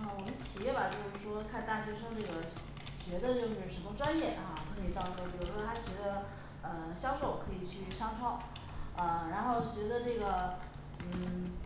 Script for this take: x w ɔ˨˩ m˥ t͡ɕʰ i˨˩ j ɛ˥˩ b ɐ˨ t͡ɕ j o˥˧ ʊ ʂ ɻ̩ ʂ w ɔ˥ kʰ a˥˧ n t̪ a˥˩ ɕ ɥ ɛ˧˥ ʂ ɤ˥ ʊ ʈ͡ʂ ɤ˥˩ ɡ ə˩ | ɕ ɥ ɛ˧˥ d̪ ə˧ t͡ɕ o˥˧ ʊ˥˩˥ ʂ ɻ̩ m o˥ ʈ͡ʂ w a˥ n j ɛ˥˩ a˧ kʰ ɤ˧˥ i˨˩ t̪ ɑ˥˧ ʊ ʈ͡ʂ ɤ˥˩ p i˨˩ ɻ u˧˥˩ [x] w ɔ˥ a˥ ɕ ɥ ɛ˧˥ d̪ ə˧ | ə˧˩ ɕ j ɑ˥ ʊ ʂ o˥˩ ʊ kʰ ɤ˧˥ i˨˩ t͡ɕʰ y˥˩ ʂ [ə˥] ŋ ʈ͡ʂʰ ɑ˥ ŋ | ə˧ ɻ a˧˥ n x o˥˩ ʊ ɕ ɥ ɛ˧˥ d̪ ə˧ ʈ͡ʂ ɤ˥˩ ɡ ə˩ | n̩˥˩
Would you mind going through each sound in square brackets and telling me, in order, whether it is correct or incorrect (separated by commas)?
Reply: incorrect, incorrect